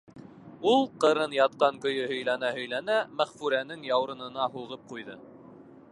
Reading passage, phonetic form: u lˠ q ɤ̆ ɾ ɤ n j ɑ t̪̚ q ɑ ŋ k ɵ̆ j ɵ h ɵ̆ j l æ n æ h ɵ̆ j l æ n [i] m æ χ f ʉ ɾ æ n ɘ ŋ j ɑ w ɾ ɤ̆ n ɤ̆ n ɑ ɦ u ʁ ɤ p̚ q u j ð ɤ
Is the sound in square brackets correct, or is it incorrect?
incorrect